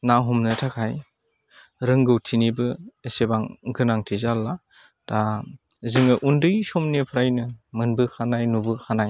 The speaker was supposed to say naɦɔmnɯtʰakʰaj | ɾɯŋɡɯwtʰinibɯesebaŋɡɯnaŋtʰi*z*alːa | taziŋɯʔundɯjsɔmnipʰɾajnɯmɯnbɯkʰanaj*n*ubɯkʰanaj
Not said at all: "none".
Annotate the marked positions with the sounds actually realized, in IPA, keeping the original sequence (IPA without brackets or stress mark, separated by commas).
z, n